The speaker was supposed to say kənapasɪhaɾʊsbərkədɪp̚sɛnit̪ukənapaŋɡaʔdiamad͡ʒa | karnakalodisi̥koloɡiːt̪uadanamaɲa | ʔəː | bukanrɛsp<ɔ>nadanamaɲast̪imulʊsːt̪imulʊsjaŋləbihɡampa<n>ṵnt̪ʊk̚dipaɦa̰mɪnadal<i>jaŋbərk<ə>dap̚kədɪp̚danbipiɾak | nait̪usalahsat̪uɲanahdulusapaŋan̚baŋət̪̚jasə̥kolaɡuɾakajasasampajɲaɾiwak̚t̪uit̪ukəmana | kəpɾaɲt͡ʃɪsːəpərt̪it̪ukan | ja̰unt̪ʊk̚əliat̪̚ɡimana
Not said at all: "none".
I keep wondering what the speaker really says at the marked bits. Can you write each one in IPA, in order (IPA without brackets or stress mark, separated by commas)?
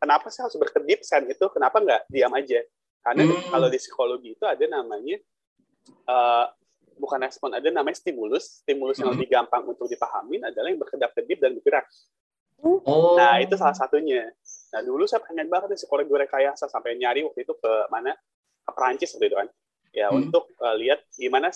ɔ, ŋ, a, ə